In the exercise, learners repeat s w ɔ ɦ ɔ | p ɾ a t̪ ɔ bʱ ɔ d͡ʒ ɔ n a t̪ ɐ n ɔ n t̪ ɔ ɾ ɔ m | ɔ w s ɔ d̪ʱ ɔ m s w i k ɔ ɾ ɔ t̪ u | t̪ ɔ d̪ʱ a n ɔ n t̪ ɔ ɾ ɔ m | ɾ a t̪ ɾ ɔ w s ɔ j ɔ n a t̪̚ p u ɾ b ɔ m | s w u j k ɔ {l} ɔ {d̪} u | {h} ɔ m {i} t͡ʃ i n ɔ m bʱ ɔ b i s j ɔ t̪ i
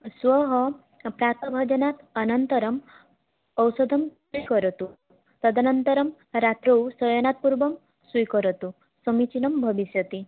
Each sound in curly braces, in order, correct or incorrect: incorrect: ɾ, incorrect: t̪, incorrect: s, correct

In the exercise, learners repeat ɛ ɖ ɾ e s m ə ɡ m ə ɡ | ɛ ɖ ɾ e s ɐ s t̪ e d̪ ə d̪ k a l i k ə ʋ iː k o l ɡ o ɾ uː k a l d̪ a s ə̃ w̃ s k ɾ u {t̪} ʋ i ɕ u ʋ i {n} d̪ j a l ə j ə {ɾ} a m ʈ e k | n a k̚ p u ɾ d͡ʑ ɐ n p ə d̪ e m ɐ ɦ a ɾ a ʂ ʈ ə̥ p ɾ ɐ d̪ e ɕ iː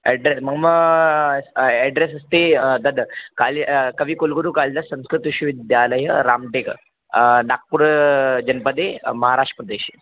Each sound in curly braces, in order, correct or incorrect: correct, incorrect: none, correct

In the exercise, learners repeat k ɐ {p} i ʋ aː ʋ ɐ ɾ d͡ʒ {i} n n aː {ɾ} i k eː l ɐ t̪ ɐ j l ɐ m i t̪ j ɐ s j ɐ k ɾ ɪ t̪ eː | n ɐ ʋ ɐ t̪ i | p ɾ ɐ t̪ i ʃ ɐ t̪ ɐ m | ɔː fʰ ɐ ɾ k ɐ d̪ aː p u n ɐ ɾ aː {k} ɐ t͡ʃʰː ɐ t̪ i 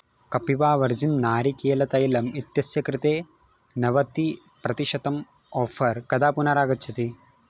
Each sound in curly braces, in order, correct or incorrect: correct, correct, correct, incorrect: ɡ

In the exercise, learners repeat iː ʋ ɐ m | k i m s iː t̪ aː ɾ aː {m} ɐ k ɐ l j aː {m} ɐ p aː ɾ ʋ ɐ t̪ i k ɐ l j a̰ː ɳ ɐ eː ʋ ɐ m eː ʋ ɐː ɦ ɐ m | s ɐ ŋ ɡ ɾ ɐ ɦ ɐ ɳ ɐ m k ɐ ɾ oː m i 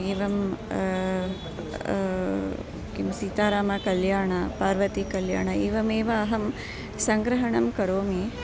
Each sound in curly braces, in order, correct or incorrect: correct, incorrect: ɳ

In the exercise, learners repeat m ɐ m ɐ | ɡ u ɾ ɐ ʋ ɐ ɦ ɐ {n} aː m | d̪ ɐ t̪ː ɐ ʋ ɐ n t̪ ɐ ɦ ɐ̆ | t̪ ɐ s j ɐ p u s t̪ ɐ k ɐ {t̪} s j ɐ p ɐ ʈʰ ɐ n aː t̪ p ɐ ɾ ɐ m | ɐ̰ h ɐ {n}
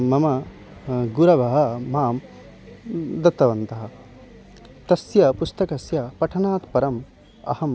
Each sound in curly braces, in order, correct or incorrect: incorrect: m, incorrect: none, incorrect: m

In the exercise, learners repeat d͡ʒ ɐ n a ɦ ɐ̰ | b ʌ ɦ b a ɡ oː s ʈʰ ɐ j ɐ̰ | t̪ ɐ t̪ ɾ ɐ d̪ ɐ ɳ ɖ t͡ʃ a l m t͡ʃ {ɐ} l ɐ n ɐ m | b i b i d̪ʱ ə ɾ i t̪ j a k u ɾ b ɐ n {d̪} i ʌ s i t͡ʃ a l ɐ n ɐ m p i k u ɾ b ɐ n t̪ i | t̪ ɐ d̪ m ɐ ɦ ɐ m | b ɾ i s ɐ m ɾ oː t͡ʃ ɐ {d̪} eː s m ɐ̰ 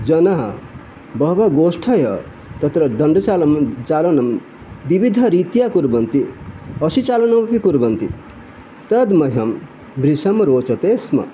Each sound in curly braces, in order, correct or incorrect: incorrect: a, incorrect: t̪, incorrect: t̪

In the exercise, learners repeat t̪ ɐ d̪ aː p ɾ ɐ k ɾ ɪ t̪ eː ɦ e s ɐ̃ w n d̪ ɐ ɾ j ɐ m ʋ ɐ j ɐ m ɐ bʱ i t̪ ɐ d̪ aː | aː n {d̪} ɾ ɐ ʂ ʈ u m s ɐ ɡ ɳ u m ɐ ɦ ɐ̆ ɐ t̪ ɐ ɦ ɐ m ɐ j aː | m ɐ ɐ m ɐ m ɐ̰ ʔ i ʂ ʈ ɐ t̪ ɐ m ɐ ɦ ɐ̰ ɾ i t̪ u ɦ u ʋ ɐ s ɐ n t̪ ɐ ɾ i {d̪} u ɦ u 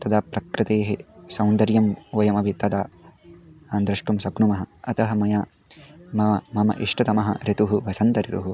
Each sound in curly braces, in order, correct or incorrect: correct, incorrect: t̪

